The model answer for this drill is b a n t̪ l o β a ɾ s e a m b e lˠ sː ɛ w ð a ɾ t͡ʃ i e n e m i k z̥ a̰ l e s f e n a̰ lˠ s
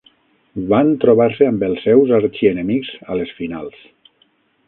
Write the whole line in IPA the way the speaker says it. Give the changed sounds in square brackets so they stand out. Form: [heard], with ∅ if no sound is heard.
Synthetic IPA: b a n t̪ [ɾ] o β a ɾ s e a m b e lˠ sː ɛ w [z] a ɾ t͡ʃ i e n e m i k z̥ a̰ l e s f [i] n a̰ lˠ s